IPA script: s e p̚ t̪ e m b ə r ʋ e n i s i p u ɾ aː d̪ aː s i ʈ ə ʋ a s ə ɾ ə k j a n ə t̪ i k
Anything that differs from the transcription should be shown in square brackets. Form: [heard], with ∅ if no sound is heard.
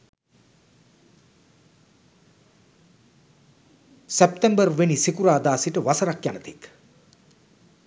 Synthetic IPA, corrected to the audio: s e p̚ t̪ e m b ə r ʋ e n i s i [k] u ɾ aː d̪ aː s i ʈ ə ʋ a s ə ɾ [a] k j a n ə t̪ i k